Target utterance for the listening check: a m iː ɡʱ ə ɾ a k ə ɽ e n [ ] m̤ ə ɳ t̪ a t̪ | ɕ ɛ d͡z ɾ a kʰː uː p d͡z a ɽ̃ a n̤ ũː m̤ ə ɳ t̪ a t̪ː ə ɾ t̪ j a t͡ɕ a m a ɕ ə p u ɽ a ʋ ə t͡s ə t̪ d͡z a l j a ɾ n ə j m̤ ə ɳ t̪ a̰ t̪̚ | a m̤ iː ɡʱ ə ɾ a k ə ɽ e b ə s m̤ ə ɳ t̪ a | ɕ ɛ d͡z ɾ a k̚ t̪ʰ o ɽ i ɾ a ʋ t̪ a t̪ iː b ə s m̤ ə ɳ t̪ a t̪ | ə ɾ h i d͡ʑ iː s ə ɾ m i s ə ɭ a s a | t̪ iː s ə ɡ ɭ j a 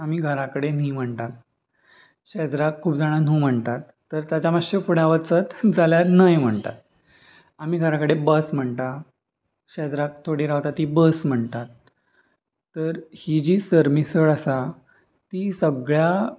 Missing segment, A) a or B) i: B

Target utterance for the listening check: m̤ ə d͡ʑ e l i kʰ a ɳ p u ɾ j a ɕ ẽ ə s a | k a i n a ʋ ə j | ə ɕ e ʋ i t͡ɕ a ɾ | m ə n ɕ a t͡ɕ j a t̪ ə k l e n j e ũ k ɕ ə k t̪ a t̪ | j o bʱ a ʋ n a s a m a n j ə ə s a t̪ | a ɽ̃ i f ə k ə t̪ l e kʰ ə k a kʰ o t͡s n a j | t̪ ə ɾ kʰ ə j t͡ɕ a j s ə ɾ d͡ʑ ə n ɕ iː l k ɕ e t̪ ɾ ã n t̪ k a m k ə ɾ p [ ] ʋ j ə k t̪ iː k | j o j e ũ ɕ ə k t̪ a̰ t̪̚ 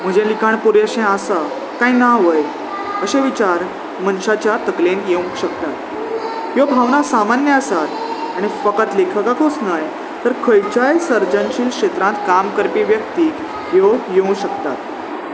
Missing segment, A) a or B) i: B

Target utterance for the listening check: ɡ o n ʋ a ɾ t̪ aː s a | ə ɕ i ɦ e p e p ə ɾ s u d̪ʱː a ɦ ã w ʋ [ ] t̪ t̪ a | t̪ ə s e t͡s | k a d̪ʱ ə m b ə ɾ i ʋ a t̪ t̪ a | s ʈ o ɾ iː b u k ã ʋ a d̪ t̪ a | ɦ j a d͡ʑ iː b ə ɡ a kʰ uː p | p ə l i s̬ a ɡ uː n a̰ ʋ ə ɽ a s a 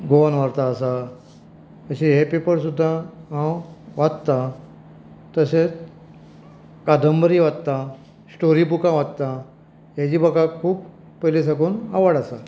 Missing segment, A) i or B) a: B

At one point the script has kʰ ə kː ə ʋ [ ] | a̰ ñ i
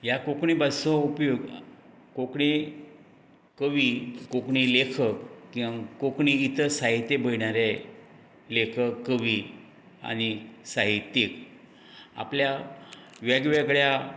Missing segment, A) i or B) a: A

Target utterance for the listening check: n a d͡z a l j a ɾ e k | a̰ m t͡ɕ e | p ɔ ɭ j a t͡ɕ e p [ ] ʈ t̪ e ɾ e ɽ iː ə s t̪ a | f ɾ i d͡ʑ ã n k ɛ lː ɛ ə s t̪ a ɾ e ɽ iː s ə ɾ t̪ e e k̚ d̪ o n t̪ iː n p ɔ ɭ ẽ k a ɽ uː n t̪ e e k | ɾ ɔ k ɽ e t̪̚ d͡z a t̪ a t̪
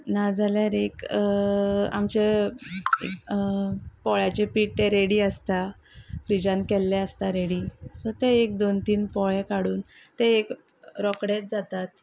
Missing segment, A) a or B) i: B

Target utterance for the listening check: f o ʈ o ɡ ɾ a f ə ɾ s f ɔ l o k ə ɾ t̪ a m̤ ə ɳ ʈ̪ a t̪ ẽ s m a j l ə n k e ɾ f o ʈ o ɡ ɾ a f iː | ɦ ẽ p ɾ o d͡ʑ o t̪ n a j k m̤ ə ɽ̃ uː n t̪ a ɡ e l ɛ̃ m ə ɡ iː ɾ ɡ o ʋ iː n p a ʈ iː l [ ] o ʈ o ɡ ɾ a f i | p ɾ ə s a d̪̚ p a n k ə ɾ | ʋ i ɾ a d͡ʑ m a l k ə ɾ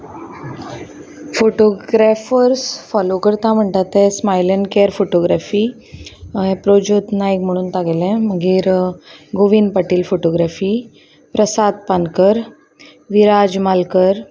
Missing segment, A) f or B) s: A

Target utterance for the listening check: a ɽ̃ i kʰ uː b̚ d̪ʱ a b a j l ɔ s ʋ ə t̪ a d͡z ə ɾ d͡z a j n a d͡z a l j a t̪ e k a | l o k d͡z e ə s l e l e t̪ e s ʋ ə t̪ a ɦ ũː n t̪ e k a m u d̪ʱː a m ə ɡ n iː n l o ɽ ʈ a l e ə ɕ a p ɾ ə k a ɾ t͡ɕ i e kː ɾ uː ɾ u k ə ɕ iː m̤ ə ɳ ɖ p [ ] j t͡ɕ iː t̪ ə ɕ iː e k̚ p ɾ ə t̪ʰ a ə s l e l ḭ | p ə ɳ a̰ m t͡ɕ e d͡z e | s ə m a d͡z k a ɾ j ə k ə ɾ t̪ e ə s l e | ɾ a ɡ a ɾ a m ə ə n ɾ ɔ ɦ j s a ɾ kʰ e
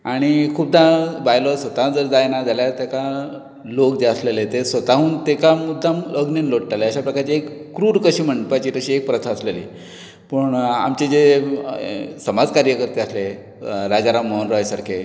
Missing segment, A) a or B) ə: A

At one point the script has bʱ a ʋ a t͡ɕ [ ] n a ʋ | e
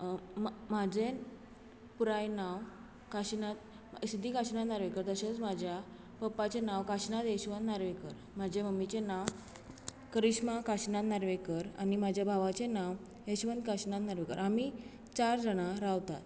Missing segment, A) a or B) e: B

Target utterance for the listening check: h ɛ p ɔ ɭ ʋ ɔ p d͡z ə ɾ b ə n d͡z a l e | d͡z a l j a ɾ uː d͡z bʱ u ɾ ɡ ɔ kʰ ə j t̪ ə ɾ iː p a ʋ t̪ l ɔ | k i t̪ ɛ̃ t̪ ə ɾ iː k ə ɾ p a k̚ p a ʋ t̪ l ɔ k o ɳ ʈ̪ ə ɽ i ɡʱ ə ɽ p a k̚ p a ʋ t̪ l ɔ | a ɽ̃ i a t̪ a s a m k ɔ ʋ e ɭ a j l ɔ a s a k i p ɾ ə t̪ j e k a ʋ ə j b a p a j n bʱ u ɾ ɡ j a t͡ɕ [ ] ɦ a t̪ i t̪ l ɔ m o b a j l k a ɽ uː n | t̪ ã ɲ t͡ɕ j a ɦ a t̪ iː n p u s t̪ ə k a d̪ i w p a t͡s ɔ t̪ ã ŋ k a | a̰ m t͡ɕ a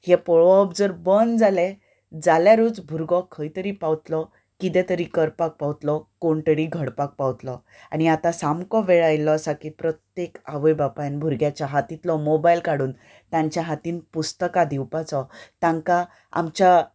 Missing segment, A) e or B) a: B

